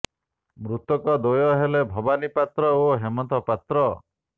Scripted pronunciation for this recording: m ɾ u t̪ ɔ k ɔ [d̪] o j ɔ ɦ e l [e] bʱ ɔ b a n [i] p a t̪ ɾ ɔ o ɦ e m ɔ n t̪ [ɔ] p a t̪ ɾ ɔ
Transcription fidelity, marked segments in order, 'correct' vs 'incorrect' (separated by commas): correct, correct, correct, correct